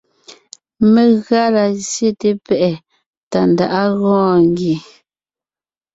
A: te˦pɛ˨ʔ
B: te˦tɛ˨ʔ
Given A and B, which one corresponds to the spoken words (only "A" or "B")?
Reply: A